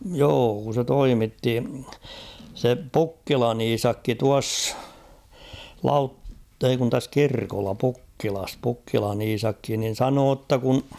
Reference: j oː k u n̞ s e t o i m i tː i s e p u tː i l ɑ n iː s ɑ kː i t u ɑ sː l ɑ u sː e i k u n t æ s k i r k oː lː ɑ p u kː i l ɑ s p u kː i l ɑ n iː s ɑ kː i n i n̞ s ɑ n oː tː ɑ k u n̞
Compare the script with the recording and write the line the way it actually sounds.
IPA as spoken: j oː k u n̞ s e t o i m i tː i s e p u kː i l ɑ n iː s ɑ kː i t u ɑ sː l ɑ u tː e i k u n t æ s k i r k o lː ɑ p u kː i l ɑ s p u kː i l ɑ n iː s ɑ kː i n i n̞ s ɑ n oː tː ɑ k u n̞